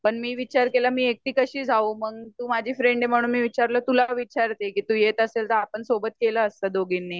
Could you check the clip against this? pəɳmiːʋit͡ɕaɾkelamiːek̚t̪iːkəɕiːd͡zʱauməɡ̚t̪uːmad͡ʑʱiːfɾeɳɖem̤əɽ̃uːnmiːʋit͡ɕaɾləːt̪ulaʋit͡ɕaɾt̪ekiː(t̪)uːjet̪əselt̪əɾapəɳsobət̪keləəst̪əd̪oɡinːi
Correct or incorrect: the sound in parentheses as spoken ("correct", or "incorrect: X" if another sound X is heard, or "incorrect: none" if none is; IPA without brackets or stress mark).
correct